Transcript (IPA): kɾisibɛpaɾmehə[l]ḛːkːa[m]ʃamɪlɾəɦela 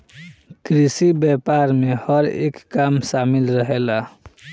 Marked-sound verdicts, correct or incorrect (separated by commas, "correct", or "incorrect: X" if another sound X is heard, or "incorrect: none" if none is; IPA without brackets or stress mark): incorrect: ɾ, correct